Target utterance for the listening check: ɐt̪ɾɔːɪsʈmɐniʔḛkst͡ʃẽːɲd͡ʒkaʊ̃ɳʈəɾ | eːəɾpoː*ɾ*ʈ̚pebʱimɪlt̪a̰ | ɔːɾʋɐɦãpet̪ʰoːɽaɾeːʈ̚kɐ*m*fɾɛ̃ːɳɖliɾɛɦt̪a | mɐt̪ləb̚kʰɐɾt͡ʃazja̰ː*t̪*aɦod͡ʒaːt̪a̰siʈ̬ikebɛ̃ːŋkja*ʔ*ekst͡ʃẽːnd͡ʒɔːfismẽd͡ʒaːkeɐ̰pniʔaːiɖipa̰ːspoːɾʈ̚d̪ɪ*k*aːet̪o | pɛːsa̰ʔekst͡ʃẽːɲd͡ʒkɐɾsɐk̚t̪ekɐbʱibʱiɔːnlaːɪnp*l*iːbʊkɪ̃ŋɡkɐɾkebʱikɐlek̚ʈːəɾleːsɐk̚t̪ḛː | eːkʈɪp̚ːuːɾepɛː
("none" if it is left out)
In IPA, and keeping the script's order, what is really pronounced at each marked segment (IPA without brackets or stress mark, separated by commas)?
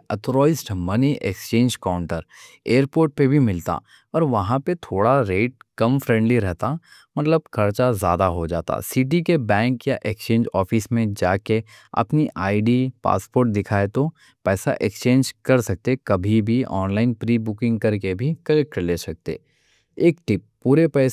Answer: ɾ, m, d̪, ʔ, kʰ, ɾ